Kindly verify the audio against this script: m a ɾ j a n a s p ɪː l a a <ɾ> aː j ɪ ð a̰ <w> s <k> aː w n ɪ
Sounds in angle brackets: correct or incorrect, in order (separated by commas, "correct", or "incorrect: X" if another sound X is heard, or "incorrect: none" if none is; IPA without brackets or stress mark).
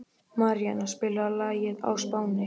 incorrect: l, correct, incorrect: p